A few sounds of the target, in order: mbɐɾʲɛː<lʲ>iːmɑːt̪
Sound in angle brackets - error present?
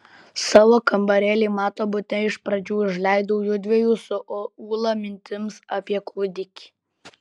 no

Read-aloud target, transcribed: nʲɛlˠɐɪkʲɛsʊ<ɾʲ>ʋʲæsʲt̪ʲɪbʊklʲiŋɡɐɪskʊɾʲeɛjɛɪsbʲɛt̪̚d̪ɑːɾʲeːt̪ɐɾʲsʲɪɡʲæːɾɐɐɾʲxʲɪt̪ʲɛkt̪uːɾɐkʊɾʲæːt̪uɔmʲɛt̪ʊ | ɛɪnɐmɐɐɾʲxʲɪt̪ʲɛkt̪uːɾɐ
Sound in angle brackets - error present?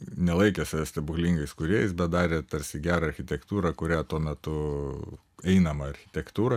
yes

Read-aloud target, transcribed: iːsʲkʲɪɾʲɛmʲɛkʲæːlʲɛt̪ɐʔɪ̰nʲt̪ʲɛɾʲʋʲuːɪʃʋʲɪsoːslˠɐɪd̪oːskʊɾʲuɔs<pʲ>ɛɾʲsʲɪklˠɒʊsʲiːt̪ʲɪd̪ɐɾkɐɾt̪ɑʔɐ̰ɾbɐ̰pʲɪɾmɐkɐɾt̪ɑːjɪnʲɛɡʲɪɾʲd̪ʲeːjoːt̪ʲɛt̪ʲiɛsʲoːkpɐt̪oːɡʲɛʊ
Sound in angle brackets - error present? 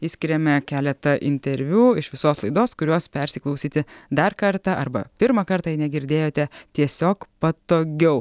no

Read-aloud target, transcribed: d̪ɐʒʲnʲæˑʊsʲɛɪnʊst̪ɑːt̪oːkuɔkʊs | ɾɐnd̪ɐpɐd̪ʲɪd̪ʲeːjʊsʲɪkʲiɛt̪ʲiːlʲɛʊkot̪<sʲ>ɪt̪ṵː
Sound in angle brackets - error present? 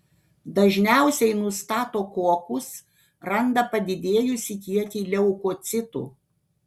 no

